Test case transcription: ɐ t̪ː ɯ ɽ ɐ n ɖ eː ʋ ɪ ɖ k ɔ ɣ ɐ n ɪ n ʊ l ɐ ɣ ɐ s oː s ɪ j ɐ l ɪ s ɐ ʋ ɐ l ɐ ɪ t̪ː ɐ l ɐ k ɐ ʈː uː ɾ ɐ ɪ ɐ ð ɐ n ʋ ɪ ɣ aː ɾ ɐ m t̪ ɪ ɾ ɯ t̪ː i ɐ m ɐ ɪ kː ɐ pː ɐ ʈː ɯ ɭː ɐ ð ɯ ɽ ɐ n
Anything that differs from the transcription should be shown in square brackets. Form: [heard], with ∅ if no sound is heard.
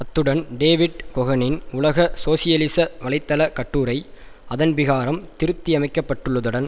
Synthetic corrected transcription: ɐ t̪ː ɯ ɽ ɐ n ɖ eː ʋ ɪ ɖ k ɔ ɣ ɐ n ɪ n ʊ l ɐ ɣ ɐ s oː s ɪ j ɐ l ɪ s ɐ ʋ ɐ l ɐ ɪ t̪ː ɐ l ɐ k ɐ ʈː uː ɾ ɐ ɪ ɐ ð ɐ n ʋ ɪ ɣ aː ɾ ɐ m t̪ ɪ ɾ ɯ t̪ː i ɐ m ɐ ɪ kː ɐ pː ɐ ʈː ɯ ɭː ɐ ð ɯ ɽ ɐ n